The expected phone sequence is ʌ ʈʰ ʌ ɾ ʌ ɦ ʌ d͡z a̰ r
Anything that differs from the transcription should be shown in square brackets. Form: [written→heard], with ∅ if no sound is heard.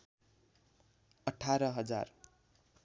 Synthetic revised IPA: ʌ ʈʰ [ʌ→a] ɾ ʌ ɦ ʌ d͡z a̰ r